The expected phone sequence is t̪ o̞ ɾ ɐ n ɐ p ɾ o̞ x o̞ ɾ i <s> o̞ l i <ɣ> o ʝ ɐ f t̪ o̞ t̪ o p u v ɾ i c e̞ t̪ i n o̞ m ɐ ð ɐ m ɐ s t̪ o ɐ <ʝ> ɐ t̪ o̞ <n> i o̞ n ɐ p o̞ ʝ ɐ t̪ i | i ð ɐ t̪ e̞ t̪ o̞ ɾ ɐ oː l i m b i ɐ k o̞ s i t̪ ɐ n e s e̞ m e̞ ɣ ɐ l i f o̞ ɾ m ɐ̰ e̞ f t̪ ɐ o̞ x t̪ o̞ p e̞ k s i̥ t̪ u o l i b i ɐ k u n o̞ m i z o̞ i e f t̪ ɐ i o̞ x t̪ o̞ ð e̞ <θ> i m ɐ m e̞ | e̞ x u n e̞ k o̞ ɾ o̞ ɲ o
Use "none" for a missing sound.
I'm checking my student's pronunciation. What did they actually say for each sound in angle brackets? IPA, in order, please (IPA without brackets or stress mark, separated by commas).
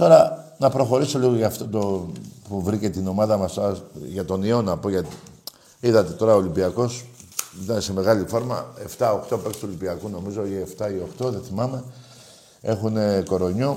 s, ɣ, ʝ, n, θ